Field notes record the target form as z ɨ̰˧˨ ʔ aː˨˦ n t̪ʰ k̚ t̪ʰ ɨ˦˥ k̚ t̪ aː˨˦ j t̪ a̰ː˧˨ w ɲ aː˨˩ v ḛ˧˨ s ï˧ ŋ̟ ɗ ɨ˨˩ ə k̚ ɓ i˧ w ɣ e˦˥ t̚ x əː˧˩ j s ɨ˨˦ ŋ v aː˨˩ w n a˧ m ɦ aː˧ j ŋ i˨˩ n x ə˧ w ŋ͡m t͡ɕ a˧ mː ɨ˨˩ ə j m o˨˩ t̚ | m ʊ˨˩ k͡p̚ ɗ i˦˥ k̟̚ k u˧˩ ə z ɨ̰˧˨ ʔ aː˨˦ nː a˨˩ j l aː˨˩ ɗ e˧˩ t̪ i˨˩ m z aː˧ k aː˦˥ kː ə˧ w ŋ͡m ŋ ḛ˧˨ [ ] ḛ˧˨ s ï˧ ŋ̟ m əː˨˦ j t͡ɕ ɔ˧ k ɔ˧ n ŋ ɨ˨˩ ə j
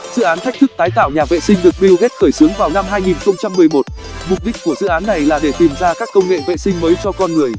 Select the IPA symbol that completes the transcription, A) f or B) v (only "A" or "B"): B